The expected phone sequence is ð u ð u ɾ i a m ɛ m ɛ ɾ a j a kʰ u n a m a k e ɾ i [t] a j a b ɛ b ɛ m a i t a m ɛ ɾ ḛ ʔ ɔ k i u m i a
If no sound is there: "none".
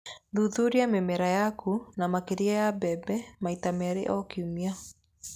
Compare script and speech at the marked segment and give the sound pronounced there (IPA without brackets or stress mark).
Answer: none